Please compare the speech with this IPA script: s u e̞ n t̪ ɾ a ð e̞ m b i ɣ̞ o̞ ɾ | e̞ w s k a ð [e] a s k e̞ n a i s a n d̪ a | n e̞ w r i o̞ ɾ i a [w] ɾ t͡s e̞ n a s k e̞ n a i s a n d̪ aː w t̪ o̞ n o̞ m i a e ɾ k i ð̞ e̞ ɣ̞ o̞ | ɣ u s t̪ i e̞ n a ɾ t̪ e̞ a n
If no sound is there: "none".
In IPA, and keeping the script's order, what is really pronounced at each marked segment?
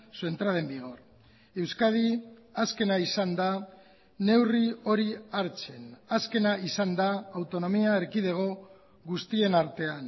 i, none

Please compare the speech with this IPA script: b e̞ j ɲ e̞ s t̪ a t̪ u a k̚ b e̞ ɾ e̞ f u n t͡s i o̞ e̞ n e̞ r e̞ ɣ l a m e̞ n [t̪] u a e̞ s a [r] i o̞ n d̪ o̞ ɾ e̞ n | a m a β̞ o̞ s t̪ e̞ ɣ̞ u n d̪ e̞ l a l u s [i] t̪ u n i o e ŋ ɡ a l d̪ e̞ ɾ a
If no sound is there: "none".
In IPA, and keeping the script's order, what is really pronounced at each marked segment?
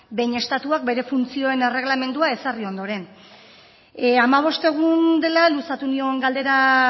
d̪, r, a

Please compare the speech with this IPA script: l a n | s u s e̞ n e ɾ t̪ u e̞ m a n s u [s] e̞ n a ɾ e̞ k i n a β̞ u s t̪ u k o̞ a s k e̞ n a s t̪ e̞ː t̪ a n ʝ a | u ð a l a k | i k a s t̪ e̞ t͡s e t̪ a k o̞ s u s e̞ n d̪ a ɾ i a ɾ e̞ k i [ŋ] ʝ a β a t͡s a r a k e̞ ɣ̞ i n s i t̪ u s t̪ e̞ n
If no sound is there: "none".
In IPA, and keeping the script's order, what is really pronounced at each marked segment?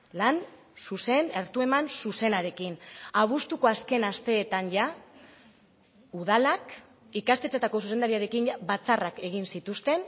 s, n

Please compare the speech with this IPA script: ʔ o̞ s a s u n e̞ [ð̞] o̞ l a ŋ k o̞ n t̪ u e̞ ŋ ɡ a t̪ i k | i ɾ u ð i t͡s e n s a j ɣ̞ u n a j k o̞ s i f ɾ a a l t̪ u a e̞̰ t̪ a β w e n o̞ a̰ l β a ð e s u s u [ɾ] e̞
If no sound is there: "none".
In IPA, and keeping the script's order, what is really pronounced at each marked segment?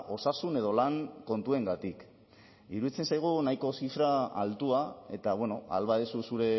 ð̞, ɾ

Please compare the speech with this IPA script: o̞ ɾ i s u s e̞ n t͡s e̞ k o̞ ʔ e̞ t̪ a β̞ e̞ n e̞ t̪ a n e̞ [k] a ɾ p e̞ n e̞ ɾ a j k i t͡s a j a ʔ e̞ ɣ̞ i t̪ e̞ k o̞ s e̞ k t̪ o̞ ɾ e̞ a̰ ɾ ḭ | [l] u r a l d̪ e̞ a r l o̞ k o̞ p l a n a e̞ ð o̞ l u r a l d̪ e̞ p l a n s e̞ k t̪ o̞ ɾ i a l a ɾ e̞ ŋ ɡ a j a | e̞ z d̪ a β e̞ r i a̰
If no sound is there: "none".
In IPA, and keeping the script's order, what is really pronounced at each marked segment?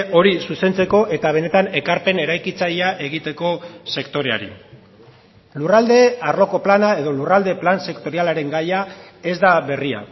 k, l

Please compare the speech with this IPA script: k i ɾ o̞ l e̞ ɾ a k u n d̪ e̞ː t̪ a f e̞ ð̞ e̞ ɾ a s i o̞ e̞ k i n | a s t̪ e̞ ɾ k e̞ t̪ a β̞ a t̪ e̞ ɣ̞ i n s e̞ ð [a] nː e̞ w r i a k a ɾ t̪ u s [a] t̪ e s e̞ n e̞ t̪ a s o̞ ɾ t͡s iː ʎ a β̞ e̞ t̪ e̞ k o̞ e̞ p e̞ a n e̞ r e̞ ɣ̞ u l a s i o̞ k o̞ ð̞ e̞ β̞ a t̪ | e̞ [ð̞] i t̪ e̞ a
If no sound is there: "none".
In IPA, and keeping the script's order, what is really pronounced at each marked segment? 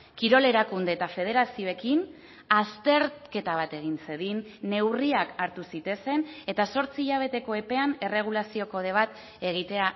i, i, ɣ̞

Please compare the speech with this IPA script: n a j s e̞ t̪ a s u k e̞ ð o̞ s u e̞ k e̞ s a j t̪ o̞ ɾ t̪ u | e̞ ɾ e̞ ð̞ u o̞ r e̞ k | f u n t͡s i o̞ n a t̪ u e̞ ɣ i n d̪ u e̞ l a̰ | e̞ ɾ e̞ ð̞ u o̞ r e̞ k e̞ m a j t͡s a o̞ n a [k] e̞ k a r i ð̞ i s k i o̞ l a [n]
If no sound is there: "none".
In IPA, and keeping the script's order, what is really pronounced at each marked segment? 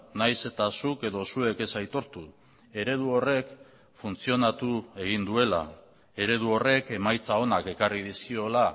k, none

